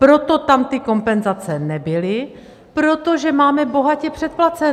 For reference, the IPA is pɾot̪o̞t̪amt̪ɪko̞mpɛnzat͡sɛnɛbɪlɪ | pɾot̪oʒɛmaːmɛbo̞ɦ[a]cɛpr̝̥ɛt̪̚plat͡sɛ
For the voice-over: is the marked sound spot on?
yes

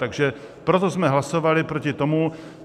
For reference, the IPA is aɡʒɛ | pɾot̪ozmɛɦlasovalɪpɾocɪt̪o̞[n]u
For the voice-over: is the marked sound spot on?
no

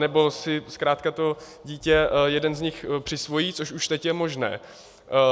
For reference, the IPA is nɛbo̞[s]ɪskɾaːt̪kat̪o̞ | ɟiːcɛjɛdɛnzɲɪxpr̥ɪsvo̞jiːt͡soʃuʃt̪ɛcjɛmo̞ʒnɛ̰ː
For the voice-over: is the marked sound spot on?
yes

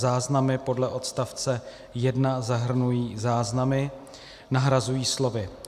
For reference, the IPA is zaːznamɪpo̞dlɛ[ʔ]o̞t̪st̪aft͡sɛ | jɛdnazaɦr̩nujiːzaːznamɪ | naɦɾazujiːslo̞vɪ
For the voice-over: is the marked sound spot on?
yes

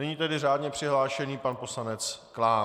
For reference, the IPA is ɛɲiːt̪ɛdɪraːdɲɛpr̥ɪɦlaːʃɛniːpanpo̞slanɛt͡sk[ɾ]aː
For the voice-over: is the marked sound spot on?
no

